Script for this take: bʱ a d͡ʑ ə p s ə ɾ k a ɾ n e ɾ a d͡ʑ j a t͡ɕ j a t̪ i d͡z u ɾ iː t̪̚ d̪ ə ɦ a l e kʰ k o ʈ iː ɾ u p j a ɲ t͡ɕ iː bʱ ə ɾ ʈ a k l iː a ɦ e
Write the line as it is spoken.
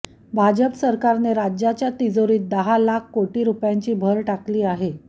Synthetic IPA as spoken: bʱ a d͡ʑ ə p s ə ɾ k a ɾ n e ɾ a d͡ʑ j a t͡ɕ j a t̪ i d͡z o ɾ iː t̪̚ d̪ ə ɦ a l a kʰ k o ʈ iː ɾ u p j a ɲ t͡ɕ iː bʱ ə ɾ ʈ a k l iː a ɦ e